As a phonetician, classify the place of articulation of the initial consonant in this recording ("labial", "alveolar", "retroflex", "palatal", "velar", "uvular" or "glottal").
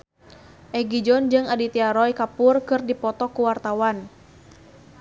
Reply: glottal